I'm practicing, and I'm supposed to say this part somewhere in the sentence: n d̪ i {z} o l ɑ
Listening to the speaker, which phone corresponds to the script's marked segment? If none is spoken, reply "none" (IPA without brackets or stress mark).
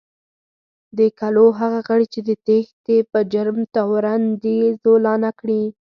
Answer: z